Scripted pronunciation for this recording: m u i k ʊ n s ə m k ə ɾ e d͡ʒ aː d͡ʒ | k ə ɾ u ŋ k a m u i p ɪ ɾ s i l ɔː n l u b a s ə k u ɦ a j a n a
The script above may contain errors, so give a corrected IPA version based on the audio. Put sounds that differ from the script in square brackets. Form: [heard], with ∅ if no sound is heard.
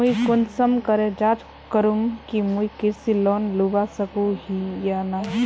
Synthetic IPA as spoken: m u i k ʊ n s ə m k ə ɾ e d͡ʒ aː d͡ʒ | k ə ɾ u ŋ k [i] m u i [k] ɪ ɾ s i l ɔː n l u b a s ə k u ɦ [i] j a n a